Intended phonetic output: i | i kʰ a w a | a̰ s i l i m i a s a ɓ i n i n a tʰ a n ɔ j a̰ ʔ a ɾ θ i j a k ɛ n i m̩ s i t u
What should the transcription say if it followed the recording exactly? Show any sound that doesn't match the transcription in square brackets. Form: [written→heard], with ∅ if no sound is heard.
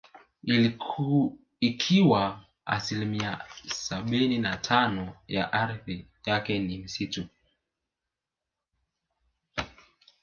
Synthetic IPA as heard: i | i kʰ [a→i] w a | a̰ s i l i m i a s a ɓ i n i n a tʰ a n ɔ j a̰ ʔ a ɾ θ i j a k ɛ n i m̩ s i t u